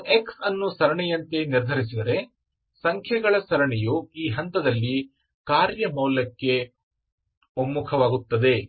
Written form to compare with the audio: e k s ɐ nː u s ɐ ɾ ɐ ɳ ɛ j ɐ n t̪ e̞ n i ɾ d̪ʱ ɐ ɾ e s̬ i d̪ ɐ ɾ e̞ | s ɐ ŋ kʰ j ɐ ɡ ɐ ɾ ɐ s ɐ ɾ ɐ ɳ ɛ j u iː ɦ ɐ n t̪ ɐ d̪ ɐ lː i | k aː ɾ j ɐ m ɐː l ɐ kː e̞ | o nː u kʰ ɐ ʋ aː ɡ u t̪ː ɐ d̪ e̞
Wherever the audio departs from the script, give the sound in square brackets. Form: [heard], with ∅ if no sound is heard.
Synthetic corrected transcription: e k s ɐ nː u s ɐ ɾ ɐ ɳ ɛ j ɐ n t̪ e̞ n i ɾ d̪ʱ ɐ ɾ [i] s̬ i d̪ ɐ ɾ e̞ | s ɐ ŋ kʰ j ɐ ɡ ɐ [ɭ] ɐ s ɐ ɾ ɐ ɳ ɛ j u iː ɦ ɐ n t̪ ɐ d̪ ɐ lː i | k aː ɾ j ɐ m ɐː l ɐ kː e̞ | o [mː] u kʰ ɐ ʋ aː ɡ u t̪ː ɐ d̪ e̞

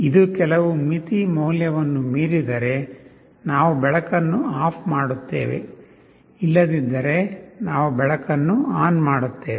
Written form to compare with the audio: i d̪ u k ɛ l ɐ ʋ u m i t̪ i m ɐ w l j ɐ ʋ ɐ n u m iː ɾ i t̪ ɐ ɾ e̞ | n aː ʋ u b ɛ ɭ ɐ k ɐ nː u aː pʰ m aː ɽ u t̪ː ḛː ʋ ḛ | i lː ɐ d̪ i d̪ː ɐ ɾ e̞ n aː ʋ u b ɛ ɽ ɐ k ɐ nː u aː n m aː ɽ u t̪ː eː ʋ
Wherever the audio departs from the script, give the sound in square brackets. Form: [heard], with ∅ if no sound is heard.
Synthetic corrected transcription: i d̪ u k ɛ l ɐ ʋ u m i t̪ i m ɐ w l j ɐ ʋ ɐ [nː] u m iː ɾ i [d̪] ɐ ɾ e̞ | n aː ʋ u b ɛ ɭ ɐ k ɐ nː u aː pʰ m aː ɽ u t̪ː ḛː ʋ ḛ | i lː ɐ d̪ i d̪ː ɐ ɾ e̞ n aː ʋ u b ɛ [ɭ] ɐ k ɐ nː u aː n m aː ɽ u t̪ː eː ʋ

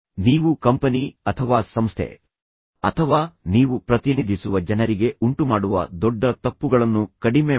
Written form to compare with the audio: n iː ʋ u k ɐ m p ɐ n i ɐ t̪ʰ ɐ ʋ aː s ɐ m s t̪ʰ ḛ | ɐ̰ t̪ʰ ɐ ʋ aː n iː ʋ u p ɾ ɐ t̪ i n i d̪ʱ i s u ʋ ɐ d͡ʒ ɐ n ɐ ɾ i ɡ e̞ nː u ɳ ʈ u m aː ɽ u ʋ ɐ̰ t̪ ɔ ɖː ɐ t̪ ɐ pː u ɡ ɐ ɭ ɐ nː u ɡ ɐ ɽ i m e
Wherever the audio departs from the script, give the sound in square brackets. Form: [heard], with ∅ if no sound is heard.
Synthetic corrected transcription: n iː ʋ u k ɐ m p ɐ n i ɐ t̪ʰ ɐ ʋ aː s ɐ m s t̪ʰ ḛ | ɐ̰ t̪ʰ ɐ ʋ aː n iː ʋ u p ɾ ɐ t̪ i n i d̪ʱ i s u ʋ ɐ d͡ʒ ɐ n ɐ ɾ i ɡ e̞ [∅] u ɳ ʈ u m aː ɽ u ʋ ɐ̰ [d̪] ɔ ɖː ɐ t̪ ɐ pː u ɡ ɐ ɭ ɐ nː u [k] ɐ ɽ i m e

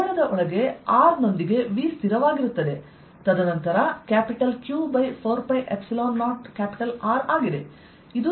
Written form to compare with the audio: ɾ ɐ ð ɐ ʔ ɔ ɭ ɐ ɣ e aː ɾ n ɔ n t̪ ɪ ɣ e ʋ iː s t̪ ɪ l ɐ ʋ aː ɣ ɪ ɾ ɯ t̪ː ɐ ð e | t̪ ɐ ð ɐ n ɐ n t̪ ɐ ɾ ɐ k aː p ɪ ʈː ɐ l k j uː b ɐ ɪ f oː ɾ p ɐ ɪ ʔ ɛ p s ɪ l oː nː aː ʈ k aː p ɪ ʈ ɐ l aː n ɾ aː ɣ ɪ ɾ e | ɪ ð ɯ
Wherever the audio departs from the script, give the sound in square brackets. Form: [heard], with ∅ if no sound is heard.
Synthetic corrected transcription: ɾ ɐ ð ɐ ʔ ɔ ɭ ɐ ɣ e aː ɾ n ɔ n [d̪] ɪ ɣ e ʋ iː s t̪ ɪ [ɾ] ɐ ʋ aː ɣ ɪ ɾ ɯ t̪ː ɐ ð e | t̪ ɐ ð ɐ n ɐ n t̪ ɐ ɾ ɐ k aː p ɪ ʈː ɐ l k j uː b ɐ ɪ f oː ɾ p ɐ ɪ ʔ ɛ p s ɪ l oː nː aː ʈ k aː p ɪ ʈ ɐ l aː [∅] ɾ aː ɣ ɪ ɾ e | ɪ ð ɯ

